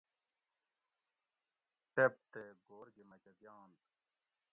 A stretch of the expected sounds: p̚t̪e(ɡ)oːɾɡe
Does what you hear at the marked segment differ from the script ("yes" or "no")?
no